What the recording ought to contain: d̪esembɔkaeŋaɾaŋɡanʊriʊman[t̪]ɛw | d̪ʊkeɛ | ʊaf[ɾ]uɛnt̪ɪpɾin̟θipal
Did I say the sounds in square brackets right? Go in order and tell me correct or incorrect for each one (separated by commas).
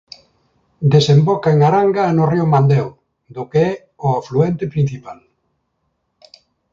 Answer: incorrect, incorrect